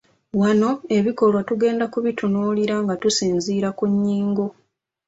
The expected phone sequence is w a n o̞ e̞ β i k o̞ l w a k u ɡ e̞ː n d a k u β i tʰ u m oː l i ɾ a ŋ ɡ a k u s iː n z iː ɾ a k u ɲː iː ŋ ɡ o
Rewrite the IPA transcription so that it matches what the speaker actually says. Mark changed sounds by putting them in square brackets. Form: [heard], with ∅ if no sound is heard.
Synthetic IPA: w a n o̞ e̞ β i k o̞ l w a [t] u ɡ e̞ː n d a k u β i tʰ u [n] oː l i ɾ a ŋ ɡ a [t] u s iː n z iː ɾ a k u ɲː iː ŋ ɡ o